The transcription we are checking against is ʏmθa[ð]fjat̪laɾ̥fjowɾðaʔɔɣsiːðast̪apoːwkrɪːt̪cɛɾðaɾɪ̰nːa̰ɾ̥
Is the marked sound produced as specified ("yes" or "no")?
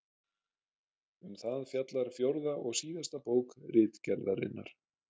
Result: yes